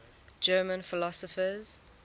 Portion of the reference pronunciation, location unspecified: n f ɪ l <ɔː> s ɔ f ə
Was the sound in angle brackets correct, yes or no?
no